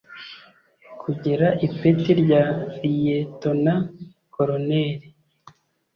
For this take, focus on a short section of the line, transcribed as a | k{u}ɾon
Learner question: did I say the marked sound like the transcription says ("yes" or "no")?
no